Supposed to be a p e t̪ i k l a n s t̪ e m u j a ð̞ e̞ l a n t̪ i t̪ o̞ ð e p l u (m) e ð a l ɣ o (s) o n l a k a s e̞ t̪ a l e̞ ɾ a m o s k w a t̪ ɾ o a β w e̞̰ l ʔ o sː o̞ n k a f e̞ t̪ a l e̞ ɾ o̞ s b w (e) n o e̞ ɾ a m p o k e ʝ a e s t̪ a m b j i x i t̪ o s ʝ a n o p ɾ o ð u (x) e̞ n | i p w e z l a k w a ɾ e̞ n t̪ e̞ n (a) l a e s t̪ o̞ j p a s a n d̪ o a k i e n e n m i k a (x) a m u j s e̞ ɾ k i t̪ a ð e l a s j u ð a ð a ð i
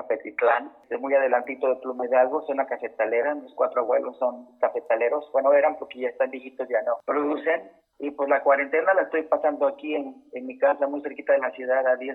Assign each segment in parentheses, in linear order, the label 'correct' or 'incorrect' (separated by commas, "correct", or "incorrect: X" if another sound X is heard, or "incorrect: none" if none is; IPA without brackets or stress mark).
correct, correct, correct, incorrect: s, correct, incorrect: s